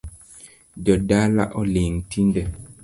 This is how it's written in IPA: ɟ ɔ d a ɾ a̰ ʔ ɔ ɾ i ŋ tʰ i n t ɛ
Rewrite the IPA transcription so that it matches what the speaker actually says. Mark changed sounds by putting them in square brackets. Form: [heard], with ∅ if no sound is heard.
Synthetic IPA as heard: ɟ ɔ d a [l] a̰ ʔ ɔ [l] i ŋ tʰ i n [d] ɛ